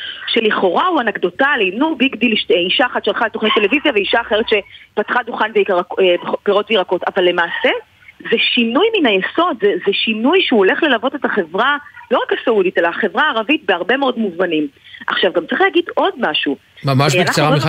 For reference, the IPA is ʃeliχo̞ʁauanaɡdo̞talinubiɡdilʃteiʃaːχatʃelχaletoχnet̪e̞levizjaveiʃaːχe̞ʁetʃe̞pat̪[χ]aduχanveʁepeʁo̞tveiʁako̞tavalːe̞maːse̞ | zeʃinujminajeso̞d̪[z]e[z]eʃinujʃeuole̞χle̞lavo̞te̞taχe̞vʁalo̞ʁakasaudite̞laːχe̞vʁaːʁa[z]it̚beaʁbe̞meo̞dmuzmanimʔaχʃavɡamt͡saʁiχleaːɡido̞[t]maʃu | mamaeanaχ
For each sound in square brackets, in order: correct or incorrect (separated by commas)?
correct, correct, correct, incorrect, incorrect